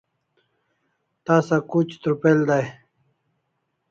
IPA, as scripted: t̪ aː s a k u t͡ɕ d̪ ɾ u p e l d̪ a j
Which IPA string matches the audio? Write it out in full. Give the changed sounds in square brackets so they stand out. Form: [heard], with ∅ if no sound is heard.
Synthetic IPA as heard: t̪ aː s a k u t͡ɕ [t̪] ɾ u p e l d̪ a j